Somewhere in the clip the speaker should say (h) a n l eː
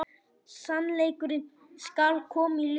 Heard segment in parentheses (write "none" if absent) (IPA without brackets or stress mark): s